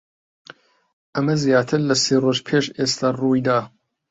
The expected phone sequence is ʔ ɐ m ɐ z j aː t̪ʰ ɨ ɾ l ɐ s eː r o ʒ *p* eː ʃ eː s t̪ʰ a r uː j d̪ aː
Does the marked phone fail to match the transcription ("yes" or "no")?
yes